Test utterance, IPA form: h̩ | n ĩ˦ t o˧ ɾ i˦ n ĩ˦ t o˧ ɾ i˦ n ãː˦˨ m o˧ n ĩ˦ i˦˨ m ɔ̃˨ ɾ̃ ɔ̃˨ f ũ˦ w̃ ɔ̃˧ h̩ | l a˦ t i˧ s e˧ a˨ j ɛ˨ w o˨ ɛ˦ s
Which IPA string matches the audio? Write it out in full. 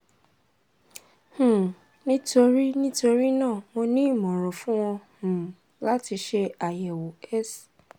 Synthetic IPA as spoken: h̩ | n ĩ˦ t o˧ ɾ i˦ n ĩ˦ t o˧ ɾ i˦ n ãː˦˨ m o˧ n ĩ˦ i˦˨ m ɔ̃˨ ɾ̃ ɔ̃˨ f ũ˦ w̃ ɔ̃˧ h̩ | l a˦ t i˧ ʃ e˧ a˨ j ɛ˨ w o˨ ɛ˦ s